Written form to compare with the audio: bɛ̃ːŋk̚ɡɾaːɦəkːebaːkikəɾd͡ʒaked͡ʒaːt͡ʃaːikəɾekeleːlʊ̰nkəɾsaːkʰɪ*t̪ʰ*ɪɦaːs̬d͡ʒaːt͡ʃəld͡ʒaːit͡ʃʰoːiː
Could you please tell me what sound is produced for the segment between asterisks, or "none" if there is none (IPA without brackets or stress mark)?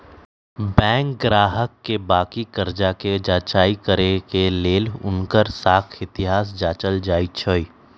t̪